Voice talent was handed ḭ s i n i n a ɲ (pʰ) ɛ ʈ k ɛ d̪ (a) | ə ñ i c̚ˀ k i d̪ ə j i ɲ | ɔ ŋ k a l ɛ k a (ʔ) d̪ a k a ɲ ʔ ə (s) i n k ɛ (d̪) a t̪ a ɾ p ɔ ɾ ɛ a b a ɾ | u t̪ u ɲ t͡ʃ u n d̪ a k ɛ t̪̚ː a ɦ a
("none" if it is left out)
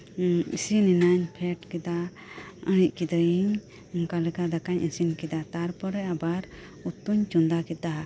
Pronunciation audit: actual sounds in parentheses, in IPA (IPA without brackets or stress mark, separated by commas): pʰ, a, none, s, d̪